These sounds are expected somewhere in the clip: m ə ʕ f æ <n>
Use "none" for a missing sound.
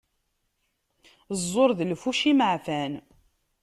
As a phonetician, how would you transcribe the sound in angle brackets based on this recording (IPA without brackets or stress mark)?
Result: n